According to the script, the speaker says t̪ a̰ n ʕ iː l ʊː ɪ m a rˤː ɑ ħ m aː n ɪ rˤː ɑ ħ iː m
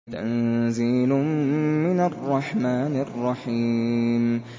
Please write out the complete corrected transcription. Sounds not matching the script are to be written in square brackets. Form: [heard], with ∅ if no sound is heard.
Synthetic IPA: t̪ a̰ n [z] iː l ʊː ɪ [n] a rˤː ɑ ħ m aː n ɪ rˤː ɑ ħ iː m